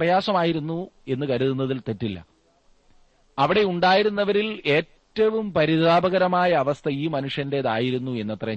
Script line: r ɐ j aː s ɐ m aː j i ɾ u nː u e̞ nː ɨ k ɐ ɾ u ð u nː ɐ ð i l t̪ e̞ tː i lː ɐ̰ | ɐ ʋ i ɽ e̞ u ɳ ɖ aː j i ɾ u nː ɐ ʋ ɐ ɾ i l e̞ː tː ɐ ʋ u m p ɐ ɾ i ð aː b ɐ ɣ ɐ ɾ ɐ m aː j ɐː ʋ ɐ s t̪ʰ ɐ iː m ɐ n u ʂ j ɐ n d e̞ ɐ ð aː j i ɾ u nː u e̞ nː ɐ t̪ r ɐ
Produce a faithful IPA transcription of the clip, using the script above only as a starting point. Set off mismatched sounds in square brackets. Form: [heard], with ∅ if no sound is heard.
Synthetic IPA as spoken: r ɐ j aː s ɐ m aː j i ɾ u nː u e̞ nː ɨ k ɐ ɾ u ð u nː ɐ ð i l t̪ e̞ tː i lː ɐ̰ | ɐ ʋ i ɽ e̞ u ɳ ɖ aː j i ɾ u nː ɐ ʋ ɐ ɾ i l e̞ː tː ɐ ʋ u m p ɐ ɾ i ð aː b ɐ ɣ ɐ ɾ ɐ m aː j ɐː ʋ ɐ s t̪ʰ ɐ iː m ɐ n u ʂ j ɐ n d e̞ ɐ ð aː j i ɾ u nː u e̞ nː ɐ t̪ r ɐ